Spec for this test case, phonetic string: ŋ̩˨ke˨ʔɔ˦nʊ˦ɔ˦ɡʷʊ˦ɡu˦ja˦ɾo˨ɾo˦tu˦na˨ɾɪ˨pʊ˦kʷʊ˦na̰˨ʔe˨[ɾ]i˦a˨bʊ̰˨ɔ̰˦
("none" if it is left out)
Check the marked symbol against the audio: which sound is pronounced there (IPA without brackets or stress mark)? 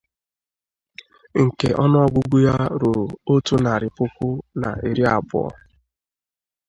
ɾ